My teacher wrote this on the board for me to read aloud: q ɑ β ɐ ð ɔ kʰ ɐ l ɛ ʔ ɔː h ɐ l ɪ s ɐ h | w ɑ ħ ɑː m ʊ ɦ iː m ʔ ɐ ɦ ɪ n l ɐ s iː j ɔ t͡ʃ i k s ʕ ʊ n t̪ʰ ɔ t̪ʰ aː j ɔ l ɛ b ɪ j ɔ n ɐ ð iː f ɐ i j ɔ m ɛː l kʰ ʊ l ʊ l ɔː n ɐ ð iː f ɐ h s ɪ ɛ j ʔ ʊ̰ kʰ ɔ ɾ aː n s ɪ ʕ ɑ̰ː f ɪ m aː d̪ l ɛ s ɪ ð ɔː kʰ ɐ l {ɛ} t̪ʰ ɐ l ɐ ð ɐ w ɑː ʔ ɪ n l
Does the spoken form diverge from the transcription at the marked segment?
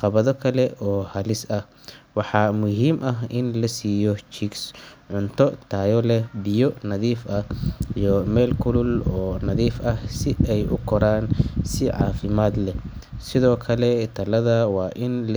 no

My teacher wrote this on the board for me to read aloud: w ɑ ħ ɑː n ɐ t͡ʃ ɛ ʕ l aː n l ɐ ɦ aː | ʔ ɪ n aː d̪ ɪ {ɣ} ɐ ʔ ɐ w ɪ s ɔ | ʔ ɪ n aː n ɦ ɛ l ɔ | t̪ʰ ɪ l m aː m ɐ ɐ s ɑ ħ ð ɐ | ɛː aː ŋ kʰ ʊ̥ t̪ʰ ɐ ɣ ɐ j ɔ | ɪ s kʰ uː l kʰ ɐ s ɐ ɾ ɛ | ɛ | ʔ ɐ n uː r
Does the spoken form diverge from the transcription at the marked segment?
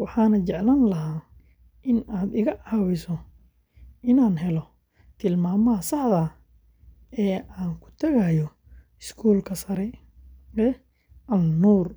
no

